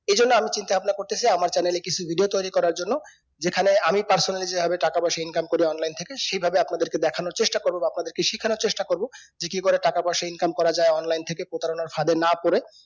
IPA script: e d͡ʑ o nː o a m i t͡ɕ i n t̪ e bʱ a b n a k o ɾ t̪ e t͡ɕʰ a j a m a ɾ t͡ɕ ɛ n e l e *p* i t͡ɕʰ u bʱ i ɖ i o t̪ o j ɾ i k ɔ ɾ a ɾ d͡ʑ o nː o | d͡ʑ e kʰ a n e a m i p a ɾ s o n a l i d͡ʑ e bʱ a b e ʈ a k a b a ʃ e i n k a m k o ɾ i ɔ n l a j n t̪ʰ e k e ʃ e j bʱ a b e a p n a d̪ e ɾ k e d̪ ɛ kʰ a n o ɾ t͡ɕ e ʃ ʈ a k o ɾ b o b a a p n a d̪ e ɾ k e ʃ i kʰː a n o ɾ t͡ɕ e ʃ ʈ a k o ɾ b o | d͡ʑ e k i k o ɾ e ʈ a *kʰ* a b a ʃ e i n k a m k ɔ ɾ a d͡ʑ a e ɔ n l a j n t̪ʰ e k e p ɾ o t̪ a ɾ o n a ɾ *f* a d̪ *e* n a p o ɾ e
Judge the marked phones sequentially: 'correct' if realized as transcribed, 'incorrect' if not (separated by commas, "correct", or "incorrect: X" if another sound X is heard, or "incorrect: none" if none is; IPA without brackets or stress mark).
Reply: incorrect: k, incorrect: k, correct, correct